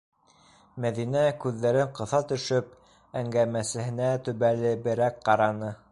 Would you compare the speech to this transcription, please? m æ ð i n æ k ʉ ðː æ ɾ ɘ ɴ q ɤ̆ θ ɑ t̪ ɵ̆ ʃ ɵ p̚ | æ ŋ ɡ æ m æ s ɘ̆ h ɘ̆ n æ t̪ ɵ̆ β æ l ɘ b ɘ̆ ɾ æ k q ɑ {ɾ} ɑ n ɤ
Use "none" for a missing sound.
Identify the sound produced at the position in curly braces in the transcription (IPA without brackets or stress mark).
ɾ